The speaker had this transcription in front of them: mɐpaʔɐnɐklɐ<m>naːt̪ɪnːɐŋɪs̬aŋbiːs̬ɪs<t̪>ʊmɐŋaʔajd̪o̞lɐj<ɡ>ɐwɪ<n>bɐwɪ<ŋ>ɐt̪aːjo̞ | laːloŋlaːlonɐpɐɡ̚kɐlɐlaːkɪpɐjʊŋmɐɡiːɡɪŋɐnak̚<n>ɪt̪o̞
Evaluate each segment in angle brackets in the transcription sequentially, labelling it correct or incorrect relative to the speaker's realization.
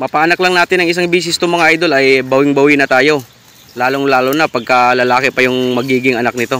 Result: incorrect, correct, incorrect, incorrect, incorrect, correct

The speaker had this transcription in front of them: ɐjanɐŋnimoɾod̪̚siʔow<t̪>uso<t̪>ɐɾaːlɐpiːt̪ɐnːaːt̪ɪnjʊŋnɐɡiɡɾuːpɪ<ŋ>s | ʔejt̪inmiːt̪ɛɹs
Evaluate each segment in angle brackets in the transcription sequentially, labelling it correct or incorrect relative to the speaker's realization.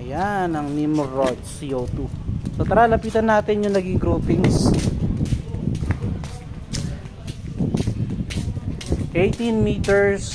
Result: correct, correct, correct

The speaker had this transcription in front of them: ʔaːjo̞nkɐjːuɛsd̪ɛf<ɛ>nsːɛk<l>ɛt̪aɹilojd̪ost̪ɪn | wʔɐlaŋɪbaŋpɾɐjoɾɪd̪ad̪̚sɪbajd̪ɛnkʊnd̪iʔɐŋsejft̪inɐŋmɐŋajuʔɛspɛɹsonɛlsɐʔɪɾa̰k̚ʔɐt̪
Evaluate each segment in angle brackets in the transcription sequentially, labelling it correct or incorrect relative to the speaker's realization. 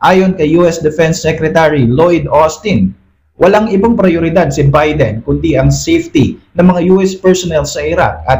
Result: correct, incorrect

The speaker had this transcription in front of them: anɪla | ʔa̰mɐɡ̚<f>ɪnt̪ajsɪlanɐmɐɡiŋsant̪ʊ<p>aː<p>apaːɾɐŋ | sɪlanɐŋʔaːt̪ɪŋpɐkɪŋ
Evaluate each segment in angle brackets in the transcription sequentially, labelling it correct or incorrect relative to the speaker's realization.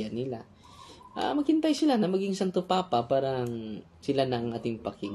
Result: incorrect, correct, correct

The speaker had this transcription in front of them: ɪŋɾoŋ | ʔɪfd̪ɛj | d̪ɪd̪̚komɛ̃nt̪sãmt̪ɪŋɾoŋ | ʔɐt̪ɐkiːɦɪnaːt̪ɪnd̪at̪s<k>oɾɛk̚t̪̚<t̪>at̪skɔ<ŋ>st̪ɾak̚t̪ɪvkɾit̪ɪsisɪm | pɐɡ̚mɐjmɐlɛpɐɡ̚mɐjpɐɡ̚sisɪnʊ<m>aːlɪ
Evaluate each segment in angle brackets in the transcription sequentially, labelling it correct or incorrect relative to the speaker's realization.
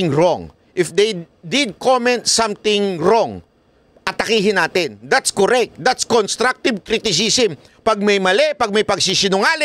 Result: correct, incorrect, incorrect, incorrect

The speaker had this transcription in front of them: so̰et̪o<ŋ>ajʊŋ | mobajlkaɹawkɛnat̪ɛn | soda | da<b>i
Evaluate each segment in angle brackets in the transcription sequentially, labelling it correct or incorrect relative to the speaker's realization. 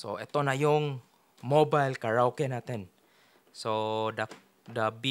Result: incorrect, correct

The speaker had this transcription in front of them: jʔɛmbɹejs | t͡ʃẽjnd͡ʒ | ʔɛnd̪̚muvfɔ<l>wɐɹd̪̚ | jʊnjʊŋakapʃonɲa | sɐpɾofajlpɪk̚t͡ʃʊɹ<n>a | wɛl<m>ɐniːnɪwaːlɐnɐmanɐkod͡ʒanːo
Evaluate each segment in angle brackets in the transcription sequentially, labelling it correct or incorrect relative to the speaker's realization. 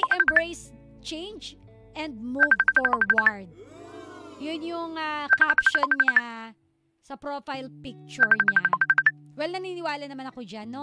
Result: incorrect, incorrect, incorrect

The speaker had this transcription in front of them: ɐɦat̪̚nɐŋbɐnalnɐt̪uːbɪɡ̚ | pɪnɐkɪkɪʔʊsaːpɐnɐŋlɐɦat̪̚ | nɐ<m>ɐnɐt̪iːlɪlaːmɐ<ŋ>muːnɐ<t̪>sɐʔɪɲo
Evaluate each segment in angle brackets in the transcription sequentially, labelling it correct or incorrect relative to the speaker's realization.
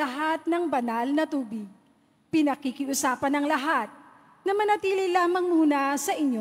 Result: correct, correct, incorrect

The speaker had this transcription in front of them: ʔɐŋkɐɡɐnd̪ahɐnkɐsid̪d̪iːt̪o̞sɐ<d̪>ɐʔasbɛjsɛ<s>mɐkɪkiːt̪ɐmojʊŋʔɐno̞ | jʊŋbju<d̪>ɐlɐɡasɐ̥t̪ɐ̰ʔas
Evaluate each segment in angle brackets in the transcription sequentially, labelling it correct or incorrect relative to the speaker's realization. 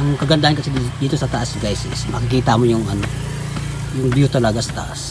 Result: incorrect, correct, incorrect

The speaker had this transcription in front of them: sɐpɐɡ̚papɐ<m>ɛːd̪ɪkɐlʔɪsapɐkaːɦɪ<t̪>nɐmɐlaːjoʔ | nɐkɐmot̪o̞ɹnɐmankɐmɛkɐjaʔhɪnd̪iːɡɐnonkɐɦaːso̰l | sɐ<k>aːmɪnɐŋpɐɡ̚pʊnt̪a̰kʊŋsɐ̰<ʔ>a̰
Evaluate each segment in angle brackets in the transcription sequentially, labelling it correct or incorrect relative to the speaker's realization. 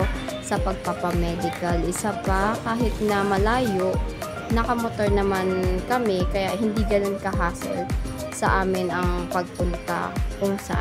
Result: correct, correct, incorrect, correct

